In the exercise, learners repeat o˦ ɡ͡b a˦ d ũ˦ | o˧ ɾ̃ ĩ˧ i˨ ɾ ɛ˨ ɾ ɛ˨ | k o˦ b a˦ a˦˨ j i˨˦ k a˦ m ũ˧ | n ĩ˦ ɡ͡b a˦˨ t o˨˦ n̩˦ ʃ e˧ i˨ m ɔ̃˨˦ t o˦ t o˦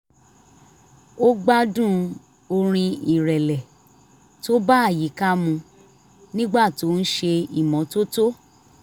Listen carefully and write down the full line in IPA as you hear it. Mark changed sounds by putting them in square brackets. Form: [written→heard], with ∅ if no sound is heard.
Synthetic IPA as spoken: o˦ ɡ͡b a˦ d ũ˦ | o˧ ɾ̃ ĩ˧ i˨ ɾ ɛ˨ [ɾ→l] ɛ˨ | [k→t] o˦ b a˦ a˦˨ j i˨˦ k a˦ m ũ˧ | n ĩ˦ ɡ͡b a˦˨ t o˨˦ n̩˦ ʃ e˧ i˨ m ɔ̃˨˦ t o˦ t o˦